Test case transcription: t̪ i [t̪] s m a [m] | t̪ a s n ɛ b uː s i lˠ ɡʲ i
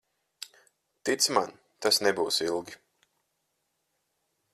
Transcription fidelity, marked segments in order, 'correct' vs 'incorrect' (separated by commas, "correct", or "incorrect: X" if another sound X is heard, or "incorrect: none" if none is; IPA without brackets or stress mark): correct, incorrect: n